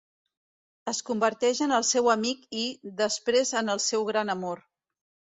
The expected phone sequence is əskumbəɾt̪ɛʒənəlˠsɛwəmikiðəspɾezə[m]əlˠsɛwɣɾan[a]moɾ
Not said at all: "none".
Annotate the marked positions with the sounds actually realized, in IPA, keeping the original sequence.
n, ə

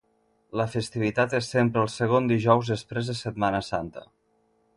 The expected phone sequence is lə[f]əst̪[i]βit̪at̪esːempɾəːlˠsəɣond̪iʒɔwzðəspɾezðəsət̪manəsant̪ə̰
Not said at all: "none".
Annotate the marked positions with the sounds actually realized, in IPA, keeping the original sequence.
f, i

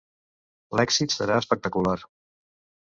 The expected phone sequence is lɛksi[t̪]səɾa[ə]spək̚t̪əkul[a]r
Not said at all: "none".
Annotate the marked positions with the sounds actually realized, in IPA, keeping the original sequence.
t̪, ə, a

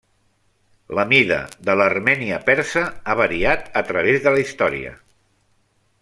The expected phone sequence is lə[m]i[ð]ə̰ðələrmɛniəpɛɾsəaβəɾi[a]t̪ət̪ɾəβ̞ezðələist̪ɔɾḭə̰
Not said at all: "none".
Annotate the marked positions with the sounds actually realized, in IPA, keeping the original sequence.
m, ð, a

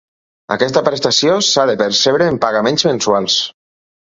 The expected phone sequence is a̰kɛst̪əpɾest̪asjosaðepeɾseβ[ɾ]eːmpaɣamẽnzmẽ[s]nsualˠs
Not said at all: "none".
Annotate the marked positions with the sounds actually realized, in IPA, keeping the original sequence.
ɾ, none

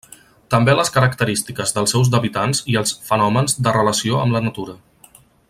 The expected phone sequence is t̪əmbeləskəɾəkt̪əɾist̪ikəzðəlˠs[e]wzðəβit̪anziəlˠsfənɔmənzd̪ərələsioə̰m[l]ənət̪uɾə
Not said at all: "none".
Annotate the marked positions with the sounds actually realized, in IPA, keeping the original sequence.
ɛ, l

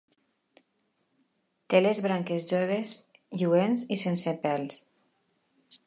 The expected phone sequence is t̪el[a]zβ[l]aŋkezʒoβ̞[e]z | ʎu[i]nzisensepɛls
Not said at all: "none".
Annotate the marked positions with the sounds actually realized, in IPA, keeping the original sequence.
e, ɾ, e, e

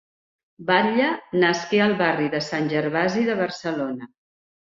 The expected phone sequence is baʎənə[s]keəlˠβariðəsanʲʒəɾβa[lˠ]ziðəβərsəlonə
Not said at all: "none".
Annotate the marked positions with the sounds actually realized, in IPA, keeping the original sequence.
s, none

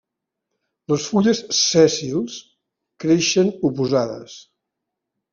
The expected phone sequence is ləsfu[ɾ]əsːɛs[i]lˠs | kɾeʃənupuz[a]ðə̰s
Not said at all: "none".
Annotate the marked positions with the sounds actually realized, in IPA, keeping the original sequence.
ʎ, i, a

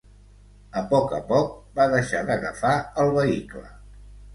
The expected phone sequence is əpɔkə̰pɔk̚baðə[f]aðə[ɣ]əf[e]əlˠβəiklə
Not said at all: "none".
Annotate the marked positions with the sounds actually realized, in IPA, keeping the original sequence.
ʃ, ɣ, a

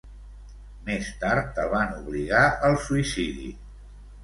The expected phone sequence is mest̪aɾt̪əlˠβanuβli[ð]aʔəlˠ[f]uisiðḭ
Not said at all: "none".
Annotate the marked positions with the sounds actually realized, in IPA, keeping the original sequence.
ɣ, s

